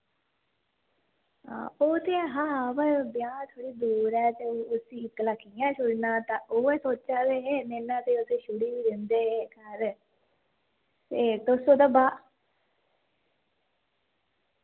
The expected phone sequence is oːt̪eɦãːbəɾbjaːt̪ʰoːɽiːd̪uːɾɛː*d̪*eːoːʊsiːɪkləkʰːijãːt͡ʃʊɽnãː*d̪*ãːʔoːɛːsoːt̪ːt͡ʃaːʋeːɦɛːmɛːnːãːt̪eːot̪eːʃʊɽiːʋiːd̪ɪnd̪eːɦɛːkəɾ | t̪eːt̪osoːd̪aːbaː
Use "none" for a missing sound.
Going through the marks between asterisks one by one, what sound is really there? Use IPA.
t̪, t̪

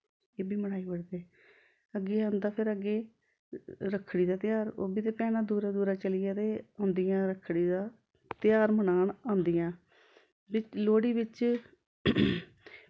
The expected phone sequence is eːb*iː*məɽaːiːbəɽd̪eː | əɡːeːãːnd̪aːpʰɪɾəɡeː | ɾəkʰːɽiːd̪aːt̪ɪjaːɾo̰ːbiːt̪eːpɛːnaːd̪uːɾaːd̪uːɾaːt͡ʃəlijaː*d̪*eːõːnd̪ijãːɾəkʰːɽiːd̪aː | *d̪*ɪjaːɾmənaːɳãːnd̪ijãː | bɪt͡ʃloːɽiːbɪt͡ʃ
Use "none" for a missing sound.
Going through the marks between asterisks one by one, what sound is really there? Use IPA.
iː, t̪, t̪

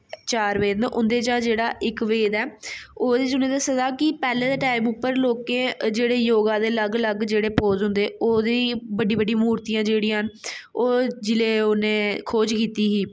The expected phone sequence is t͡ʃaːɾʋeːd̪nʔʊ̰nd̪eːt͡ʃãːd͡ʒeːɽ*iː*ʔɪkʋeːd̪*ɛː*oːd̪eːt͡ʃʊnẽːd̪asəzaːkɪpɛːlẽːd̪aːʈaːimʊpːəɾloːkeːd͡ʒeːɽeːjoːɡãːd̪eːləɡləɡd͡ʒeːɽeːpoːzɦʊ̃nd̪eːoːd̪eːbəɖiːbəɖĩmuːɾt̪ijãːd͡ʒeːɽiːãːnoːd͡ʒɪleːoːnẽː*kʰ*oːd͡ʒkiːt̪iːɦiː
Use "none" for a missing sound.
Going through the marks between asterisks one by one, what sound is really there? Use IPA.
aː, ɛː, kʰ

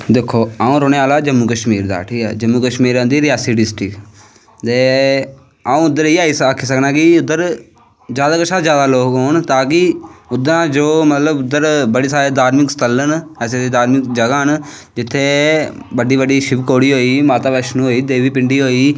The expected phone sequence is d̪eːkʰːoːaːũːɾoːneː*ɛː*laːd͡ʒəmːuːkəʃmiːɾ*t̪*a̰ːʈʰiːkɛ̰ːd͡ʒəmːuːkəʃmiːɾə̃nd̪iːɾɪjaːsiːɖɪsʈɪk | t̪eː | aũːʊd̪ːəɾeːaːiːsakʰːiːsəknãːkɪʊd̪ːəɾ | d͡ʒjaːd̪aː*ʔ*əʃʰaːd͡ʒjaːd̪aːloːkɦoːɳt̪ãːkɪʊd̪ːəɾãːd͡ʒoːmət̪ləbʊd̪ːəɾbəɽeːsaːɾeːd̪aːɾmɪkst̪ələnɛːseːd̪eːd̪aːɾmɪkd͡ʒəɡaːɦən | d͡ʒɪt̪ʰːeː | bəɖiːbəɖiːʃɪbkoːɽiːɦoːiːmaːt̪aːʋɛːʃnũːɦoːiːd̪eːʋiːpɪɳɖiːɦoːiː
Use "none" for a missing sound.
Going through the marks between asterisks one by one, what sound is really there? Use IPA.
aː, d̪, k

